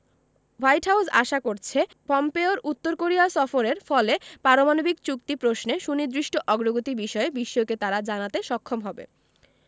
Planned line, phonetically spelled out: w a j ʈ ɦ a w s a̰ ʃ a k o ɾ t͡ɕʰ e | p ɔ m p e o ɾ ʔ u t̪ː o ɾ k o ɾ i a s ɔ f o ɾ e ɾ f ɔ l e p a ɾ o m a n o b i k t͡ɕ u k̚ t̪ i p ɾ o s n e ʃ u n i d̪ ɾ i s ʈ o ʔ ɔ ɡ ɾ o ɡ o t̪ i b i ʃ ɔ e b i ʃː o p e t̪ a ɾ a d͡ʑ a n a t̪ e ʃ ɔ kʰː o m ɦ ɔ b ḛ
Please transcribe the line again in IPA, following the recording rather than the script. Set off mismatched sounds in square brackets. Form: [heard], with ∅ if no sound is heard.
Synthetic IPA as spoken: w a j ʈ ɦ a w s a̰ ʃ a k o ɾ t͡ɕʰ e | p ɔ m p e o ɾ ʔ u t̪ː o ɾ k o ɾ i a s ɔ f o ɾ e ɾ f ɔ l e p a ɾ o m a n o b i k t͡ɕ u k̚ t̪ i p ɾ o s n e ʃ u n i d̪ ɾ i [ʃ] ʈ o ʔ ɔ ɡ ɾ o ɡ o t̪ i b i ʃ ɔ e b i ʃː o [k] e t̪ a ɾ a d͡ʑ a n a t̪ e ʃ ɔ kʰː o m ɦ ɔ b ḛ